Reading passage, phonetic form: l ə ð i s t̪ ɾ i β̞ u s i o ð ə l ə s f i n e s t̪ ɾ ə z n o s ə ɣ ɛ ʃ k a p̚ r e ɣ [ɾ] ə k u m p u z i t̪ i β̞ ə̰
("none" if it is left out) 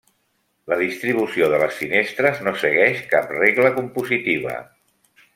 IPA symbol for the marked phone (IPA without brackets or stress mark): l